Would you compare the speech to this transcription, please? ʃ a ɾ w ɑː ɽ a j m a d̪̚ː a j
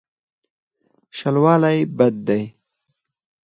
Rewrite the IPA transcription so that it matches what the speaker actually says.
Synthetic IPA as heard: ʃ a l w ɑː l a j b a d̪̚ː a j